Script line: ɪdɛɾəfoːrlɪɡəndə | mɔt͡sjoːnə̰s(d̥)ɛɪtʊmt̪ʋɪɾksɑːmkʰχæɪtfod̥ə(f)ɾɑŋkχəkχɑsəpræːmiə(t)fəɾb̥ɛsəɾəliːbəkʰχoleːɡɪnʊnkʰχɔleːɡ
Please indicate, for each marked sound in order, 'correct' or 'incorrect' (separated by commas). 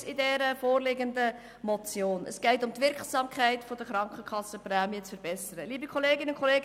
incorrect, incorrect, incorrect